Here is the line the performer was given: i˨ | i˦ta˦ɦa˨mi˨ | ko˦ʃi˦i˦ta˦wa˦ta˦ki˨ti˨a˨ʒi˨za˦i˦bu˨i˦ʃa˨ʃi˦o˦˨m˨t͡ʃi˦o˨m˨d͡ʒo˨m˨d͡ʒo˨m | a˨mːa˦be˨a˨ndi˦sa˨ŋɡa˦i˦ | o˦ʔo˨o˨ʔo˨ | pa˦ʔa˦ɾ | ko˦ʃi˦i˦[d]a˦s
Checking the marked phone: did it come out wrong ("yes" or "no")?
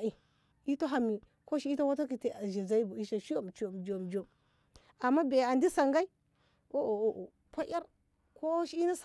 yes